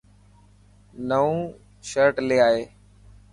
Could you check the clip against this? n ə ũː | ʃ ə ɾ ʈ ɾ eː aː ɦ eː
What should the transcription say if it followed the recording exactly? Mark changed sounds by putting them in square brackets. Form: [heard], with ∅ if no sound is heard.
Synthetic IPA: n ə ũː | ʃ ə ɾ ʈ [l] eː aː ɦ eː